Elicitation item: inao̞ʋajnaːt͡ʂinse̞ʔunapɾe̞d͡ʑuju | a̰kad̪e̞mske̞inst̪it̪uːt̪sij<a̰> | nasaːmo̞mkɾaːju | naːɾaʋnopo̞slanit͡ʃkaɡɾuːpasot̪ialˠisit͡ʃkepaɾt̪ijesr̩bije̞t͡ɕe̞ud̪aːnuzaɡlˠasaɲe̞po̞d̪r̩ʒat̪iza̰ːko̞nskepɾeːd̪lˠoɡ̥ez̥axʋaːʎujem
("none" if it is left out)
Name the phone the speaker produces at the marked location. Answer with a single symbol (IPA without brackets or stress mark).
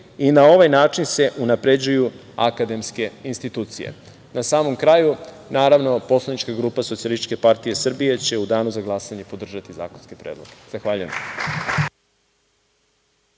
ḛ